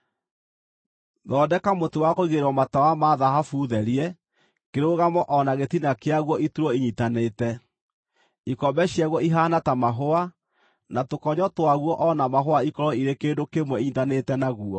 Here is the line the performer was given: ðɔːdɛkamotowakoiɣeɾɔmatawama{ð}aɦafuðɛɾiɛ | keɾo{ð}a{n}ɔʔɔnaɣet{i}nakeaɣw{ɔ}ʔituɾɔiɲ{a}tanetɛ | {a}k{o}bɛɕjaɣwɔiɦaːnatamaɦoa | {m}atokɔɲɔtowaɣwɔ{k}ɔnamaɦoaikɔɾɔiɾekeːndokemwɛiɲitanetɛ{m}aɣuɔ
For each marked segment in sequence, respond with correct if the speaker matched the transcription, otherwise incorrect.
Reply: correct, incorrect, incorrect, correct, correct, incorrect, incorrect, incorrect, incorrect, incorrect, incorrect

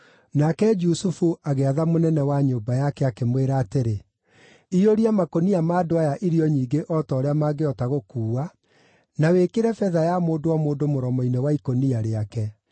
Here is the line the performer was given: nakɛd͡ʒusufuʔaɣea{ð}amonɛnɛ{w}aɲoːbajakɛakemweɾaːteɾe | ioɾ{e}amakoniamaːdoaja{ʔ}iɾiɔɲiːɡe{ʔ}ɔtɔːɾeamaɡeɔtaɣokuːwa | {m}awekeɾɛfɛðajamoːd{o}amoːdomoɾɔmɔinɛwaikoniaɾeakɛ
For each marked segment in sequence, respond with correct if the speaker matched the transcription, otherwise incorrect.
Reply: correct, correct, incorrect, correct, correct, incorrect, correct

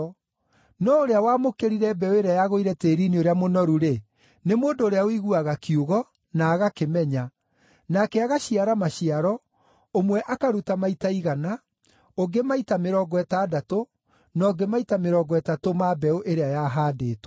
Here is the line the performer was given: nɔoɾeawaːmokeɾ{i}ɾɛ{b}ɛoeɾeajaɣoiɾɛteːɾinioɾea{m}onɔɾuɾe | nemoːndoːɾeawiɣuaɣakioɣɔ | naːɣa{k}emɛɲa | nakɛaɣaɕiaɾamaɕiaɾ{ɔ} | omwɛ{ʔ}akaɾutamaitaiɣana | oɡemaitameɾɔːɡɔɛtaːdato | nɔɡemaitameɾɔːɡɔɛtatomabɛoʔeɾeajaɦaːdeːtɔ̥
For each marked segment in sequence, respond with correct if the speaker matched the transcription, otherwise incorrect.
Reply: correct, correct, correct, correct, correct, correct

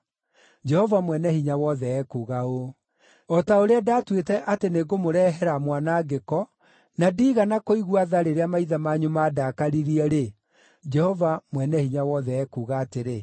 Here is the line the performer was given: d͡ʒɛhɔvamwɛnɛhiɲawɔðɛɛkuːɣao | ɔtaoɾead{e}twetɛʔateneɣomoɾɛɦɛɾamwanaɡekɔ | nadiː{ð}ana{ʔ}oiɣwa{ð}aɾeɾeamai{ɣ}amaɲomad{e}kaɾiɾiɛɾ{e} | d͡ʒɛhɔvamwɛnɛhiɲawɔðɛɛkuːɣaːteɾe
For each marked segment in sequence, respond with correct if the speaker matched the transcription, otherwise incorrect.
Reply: incorrect, incorrect, incorrect, correct, incorrect, incorrect, correct

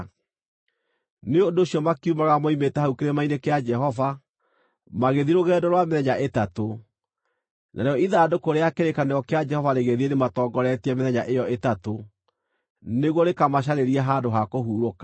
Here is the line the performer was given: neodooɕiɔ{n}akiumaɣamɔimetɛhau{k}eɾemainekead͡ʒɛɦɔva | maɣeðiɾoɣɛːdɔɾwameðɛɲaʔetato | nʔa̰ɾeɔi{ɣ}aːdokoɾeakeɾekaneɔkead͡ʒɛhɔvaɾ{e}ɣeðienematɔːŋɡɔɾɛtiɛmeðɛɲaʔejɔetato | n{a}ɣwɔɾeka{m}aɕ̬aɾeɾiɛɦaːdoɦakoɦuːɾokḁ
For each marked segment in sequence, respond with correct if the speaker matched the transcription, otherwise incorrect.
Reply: incorrect, correct, incorrect, correct, incorrect, correct

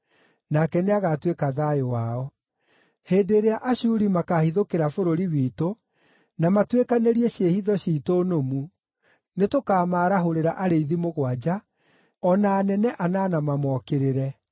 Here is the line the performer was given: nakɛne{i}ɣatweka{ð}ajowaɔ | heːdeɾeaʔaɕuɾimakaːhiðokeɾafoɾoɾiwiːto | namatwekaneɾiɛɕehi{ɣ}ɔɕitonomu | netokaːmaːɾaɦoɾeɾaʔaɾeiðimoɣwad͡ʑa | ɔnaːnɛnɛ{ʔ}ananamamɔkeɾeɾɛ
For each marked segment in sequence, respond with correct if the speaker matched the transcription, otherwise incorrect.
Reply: incorrect, correct, incorrect, correct

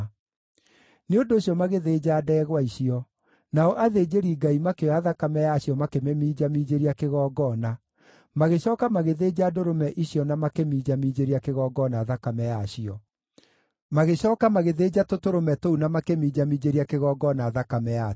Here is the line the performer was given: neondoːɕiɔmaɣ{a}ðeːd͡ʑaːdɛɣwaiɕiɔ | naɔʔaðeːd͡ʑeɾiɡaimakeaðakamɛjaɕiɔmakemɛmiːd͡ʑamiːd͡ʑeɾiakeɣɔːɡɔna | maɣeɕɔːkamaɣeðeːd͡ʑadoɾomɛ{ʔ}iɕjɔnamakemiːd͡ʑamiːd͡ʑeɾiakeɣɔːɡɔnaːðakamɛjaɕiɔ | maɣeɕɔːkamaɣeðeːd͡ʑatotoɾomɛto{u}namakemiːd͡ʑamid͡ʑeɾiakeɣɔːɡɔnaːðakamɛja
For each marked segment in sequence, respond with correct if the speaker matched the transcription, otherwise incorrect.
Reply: incorrect, correct, correct

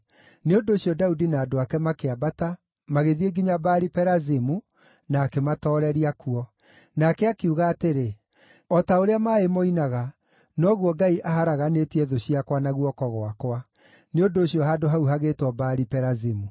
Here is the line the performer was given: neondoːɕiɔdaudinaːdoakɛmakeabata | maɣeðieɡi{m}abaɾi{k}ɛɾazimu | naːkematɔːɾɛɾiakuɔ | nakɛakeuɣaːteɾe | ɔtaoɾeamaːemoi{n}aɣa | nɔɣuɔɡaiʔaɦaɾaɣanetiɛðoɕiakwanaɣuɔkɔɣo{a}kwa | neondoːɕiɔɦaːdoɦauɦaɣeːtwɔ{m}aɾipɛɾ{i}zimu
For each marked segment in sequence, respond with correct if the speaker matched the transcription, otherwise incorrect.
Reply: incorrect, incorrect, correct, correct, incorrect, incorrect

